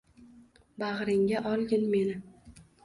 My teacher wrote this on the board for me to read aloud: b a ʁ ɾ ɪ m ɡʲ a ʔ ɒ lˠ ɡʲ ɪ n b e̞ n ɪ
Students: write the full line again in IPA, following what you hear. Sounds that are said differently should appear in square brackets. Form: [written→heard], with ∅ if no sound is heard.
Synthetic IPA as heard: b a ʁ ɾ ɪ [m→ŋ] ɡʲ a ʔ ɒ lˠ ɡʲ ɪ n [b→m] e̞ n ɪ